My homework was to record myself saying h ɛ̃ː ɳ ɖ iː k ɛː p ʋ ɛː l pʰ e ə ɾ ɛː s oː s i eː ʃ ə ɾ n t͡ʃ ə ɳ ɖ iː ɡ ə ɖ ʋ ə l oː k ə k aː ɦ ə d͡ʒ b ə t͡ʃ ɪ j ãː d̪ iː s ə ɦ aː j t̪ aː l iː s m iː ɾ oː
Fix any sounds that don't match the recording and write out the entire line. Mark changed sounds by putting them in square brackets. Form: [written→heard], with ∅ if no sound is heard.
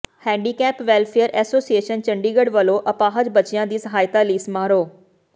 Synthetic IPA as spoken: h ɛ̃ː ɳ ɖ iː k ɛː p ʋ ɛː l pʰ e ə ɾ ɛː s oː s i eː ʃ ə [ɾ→∅] n t͡ʃ ə ɳ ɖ iː ɡ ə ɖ ʋ ə l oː [k→ʔ] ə [k→p] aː ɦ ə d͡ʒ b ə t͡ʃ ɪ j ãː d̪ iː s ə ɦ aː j t̪ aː l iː s m [iː→aː] ɾ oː